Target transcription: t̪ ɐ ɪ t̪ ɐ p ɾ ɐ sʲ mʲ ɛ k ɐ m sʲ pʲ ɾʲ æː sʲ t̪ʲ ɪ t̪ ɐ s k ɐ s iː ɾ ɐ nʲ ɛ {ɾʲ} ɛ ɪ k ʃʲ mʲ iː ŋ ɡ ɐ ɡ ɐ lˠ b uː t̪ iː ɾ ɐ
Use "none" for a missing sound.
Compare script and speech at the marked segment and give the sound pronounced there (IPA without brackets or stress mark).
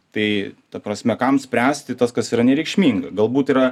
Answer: ɾʲ